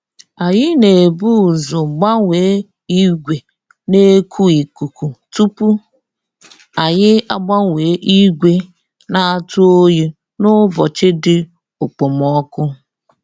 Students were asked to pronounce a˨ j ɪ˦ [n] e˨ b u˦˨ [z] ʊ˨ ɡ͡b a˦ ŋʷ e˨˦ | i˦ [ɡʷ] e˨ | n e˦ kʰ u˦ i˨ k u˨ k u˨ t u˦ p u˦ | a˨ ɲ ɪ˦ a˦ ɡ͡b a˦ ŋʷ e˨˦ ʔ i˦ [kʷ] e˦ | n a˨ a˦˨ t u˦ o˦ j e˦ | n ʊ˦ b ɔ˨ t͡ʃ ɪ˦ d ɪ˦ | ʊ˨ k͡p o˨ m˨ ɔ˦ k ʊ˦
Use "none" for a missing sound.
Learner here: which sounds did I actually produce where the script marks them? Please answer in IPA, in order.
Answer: n, z, ɡʷ, ɡʷ

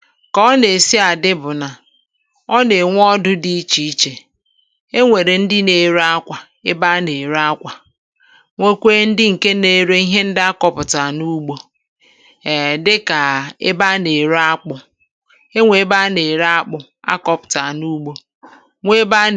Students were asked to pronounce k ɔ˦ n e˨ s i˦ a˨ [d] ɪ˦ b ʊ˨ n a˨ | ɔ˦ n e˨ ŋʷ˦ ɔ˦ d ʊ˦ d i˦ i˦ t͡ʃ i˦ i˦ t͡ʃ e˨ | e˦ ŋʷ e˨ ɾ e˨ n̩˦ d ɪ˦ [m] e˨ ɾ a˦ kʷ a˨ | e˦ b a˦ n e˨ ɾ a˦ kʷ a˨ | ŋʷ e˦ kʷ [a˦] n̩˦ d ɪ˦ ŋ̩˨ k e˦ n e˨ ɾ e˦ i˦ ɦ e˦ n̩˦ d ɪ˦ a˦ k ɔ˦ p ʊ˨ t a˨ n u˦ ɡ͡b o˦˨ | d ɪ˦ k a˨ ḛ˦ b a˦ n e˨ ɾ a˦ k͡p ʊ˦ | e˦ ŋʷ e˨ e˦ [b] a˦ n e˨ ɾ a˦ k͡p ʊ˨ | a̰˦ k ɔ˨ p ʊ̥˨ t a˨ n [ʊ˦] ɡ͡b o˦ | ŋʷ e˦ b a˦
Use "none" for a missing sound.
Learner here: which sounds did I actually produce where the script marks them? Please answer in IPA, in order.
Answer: d, n, e˦, b, u˦

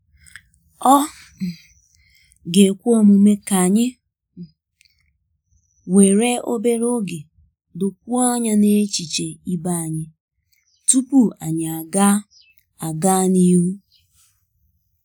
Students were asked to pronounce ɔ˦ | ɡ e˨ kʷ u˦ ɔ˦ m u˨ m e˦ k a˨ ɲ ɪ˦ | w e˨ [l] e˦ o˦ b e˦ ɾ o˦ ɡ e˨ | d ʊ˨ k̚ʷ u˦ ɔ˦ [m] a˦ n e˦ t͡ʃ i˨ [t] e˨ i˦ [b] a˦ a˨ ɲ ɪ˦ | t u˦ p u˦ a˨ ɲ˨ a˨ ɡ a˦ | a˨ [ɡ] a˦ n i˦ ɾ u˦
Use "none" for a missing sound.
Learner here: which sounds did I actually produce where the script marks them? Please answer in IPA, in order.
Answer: ɾ, ɲ, t͡ʃ, b, ɡ

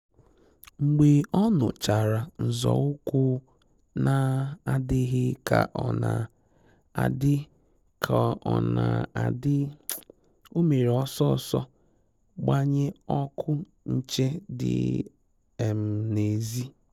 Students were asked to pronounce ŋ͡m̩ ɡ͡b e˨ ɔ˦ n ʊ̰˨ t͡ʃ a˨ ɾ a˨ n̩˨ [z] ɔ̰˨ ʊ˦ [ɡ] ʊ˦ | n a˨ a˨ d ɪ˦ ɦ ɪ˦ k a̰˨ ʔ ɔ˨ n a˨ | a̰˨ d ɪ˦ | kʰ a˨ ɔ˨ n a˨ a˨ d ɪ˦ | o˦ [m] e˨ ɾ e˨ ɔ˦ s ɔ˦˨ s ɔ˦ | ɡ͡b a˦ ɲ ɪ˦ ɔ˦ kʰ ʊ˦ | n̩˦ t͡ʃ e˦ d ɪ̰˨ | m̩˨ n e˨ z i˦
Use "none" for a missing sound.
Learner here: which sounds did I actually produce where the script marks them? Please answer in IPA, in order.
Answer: z, k, m

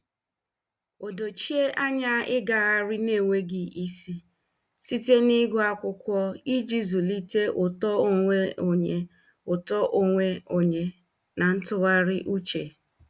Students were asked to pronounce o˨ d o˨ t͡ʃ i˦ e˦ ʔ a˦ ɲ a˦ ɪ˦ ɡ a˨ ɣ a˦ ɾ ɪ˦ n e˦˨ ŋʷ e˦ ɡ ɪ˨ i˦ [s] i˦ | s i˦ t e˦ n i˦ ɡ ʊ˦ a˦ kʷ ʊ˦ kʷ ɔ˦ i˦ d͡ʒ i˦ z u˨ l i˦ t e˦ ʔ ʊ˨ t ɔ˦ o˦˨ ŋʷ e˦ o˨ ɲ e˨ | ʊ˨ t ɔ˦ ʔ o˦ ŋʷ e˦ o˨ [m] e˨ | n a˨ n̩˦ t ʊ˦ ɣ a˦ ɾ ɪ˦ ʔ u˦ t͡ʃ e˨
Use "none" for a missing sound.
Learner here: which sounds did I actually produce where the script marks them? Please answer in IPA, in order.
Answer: s, ɲ

